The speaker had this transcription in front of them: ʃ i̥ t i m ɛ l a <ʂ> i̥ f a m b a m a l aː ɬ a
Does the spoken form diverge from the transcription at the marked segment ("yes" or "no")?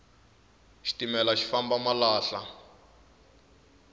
yes